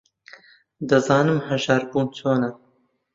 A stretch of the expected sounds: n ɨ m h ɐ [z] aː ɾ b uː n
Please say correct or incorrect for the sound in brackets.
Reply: incorrect